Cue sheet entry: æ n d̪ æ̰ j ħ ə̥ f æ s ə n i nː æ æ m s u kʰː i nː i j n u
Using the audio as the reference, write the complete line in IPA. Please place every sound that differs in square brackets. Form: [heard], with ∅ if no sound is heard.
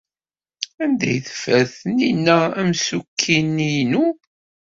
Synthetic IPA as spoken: æ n d̪ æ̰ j [θ] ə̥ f æ [θ] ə n i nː æ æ m s u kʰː i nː i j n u